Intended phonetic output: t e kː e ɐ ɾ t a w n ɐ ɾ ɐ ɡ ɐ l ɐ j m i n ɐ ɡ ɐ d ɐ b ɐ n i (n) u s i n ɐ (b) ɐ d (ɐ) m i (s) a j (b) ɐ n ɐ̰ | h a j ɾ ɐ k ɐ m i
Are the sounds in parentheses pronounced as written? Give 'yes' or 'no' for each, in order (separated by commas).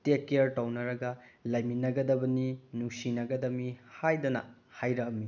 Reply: yes, no, yes, no, no